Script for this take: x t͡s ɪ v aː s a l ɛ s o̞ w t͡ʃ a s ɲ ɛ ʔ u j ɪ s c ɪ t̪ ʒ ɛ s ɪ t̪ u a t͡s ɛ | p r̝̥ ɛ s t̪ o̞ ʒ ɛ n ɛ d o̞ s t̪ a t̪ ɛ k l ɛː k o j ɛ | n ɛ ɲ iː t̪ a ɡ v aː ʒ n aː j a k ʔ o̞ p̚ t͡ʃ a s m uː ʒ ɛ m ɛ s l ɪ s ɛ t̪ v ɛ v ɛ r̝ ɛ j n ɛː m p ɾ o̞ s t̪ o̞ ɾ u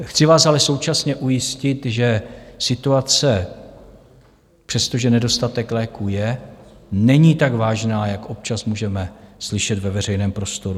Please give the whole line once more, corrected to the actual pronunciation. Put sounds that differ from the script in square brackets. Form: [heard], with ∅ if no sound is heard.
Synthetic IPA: x t͡s ɪ v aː s a l ɛ s o̞ w t͡ʃ a s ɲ ɛ ʔ u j ɪ s c ɪ t̪ ʒ ɛ s ɪ t̪ u a t͡s ɛ | p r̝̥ ɛ s t̪ o̞ ʒ ɛ n ɛ d o̞ s t̪ a t̪ ɛ k l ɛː k [u] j ɛ | n ɛ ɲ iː t̪ a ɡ v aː ʒ n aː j a k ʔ o̞ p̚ t͡ʃ a s m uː ʒ ɛ m ɛ s l ɪ [ʃ] ɛ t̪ v ɛ v ɛ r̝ ɛ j n ɛː m p ɾ o̞ s t̪ o̞ ɾ u